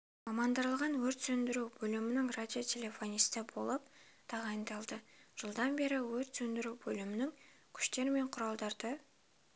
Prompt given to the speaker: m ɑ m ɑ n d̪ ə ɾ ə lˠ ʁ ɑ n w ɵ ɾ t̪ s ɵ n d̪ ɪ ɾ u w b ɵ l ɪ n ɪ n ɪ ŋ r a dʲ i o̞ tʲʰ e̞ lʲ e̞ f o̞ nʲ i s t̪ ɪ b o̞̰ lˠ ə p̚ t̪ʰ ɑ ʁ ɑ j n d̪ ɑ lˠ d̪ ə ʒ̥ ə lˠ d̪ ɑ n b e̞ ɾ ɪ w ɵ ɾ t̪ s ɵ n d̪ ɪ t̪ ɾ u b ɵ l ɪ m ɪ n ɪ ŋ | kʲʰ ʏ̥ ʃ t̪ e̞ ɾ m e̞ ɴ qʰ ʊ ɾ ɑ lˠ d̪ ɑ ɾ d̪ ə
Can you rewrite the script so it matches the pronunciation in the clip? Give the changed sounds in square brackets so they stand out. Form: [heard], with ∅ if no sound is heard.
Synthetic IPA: m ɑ m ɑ n d̪ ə ɾ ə lˠ ʁ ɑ n w ɵ ɾ t̪ s ɵ n d̪ ɪ ɾ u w b ɵ l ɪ [m] ɪ n ɪ ŋ r a dʲ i o̞ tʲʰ e̞ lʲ e̞ f o̞ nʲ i s t̪ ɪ b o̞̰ lˠ ə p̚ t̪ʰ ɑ ʁ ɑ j n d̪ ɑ lˠ d̪ ə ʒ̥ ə lˠ d̪ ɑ n b e̞ ɾ ɪ w ɵ ɾ t̪ s ɵ n d̪ ɪ [∅] ɾ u b ɵ l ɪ m ɪ n ɪ ŋ | kʲʰ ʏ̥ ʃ t̪ e̞ ɾ m e̞ ɴ qʰ ʊ ɾ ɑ lˠ d̪ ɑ ɾ d̪ ə